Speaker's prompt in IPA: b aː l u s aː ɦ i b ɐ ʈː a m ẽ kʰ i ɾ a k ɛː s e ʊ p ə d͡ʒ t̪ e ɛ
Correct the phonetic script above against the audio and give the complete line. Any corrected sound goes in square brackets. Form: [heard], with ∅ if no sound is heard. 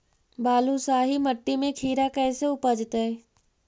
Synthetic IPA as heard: b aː l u s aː ɦ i [m] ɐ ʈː [i] m ẽ kʰ [iː] ɾ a k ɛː s e ʊ p ə d͡ʒ t̪ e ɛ